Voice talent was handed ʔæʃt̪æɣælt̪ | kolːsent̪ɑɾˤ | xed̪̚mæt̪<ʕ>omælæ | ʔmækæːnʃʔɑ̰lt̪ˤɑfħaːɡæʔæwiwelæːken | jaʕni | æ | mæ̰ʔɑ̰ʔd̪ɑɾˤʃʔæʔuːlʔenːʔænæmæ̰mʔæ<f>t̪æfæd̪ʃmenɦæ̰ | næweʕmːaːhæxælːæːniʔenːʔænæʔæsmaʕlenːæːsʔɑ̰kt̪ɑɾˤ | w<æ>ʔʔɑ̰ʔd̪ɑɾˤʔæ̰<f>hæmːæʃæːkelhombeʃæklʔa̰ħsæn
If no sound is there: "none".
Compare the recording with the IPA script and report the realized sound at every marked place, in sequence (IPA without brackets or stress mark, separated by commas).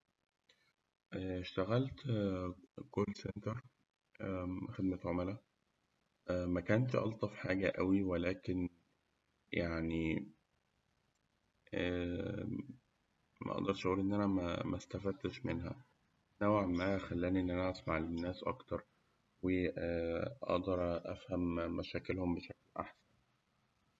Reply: ʕ, s, e, f